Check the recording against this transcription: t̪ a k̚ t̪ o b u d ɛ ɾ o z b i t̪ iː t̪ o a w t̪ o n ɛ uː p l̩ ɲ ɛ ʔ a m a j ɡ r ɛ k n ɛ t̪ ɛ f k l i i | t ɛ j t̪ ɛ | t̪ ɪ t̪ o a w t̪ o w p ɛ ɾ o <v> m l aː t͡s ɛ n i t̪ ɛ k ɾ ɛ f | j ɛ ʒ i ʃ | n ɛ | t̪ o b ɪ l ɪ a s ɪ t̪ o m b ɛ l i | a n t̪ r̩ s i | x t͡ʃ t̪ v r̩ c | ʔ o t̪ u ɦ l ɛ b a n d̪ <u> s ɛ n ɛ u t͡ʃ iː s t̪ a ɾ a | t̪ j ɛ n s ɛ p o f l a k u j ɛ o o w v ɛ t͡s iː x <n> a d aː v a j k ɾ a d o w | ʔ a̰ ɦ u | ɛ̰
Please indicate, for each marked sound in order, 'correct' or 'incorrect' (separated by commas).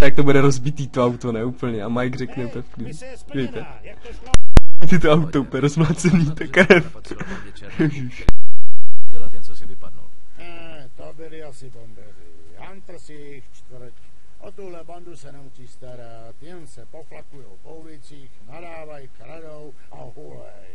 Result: incorrect, correct, correct